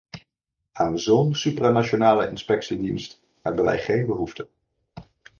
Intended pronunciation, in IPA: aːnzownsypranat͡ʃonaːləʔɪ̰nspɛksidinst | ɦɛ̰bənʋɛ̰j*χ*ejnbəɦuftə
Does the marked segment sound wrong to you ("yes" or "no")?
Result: no